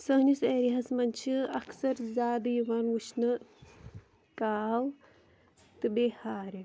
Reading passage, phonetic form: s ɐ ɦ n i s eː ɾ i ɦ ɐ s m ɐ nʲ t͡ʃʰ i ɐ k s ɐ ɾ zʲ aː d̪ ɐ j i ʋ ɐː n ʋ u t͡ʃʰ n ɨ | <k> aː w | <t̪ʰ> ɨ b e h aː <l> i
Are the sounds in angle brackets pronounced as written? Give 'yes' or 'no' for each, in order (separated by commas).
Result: yes, no, no